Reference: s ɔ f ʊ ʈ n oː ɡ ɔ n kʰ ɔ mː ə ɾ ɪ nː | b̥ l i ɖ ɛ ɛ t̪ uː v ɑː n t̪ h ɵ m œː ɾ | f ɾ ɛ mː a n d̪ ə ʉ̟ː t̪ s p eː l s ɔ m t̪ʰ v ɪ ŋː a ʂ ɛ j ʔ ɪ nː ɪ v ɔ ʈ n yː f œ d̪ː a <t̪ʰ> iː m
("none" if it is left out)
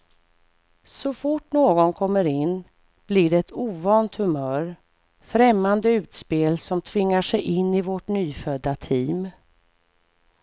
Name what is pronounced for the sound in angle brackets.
t̪ʰ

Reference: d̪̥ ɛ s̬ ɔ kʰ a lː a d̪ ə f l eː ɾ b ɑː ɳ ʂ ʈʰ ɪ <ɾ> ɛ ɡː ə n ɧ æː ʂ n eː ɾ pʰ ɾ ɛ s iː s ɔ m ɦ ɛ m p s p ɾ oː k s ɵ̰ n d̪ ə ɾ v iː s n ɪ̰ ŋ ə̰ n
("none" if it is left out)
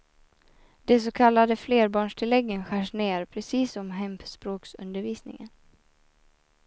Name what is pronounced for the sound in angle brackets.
l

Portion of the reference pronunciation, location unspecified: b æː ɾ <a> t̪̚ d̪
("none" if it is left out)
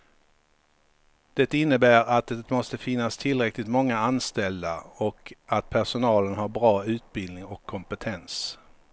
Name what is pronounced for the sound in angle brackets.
a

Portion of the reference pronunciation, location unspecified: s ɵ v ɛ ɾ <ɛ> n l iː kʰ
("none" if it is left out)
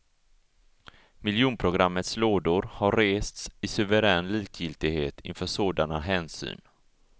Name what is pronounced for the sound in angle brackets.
ɛː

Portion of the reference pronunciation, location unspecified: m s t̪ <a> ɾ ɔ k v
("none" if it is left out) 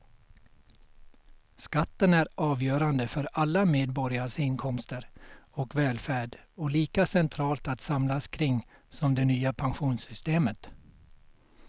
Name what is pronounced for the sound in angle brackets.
ə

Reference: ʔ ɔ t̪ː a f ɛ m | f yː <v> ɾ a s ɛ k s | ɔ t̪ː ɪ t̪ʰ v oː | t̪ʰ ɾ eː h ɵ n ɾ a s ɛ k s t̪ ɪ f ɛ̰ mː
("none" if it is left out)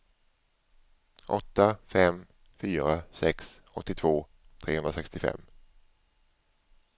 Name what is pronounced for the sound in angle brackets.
none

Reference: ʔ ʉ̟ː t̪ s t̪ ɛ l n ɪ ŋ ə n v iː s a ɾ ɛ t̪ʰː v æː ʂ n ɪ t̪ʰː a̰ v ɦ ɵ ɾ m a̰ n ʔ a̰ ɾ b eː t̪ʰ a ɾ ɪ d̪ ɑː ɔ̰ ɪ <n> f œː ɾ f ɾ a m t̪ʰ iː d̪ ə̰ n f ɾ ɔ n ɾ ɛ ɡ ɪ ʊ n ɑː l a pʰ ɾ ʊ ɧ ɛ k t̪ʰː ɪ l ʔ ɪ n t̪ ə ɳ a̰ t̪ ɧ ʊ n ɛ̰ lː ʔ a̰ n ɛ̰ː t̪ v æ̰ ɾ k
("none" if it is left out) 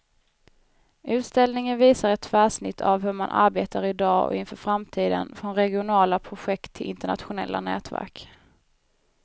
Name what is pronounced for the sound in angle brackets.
n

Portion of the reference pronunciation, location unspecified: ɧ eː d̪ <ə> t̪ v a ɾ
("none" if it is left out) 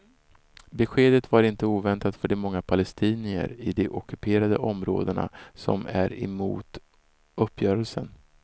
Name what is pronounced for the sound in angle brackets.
ə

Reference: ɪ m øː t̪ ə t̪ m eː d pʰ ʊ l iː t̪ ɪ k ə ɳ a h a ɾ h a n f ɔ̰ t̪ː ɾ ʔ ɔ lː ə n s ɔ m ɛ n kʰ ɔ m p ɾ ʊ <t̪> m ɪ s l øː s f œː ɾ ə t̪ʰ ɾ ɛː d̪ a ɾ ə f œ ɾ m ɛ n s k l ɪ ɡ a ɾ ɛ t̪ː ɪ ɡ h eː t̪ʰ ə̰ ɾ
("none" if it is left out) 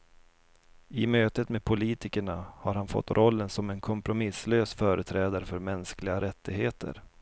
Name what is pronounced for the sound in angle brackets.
none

